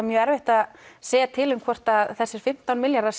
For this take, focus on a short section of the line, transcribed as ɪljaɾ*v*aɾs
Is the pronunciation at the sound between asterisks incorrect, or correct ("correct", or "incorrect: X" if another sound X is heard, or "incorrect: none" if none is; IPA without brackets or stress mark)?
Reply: incorrect: ð